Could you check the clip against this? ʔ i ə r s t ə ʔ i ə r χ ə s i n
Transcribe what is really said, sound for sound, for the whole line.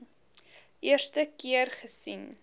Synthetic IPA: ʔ i ə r s t ə k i ə r χ ə s i n